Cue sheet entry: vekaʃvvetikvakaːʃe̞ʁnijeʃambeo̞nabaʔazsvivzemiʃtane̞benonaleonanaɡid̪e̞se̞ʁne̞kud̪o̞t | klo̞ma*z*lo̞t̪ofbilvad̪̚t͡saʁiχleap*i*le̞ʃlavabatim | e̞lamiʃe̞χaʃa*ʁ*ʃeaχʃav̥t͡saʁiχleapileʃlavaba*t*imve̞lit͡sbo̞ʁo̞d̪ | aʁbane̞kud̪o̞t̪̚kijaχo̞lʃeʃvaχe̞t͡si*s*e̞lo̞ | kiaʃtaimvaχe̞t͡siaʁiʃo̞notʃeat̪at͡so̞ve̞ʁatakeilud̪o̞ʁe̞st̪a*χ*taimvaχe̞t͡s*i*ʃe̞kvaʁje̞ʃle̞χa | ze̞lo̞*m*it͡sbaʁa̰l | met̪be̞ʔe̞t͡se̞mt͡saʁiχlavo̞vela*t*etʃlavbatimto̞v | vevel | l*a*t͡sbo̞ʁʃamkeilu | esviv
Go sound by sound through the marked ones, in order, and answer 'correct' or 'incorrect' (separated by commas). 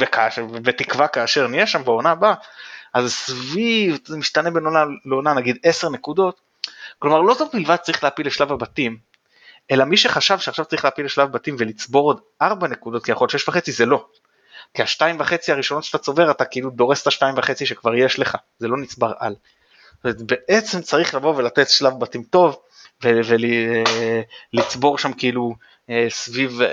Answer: incorrect, correct, incorrect, correct, incorrect, incorrect, correct, incorrect, correct, incorrect